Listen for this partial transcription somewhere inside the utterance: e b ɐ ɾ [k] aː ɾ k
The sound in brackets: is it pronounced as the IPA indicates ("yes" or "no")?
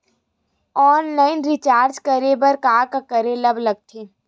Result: yes